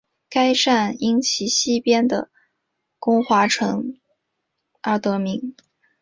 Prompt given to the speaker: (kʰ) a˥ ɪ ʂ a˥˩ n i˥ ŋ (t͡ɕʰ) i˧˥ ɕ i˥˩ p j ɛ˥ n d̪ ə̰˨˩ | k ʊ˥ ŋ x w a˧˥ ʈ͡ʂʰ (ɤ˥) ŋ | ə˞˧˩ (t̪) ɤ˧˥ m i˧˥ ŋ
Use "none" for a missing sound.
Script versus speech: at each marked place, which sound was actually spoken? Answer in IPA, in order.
k, t͡ɕʰ, ɤ˧˥, t̪

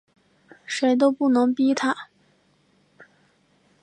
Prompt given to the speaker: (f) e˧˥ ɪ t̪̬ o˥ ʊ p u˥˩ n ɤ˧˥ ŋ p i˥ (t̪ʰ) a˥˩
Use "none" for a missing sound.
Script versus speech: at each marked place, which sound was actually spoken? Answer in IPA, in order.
ʂ, t̪ʰ

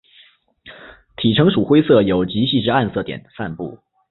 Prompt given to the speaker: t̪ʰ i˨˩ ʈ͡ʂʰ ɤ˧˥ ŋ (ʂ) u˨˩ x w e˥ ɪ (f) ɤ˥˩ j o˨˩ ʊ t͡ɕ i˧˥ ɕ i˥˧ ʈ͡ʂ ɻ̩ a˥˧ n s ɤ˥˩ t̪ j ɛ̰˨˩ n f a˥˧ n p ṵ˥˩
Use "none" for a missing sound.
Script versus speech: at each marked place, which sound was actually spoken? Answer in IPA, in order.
ʂ, s

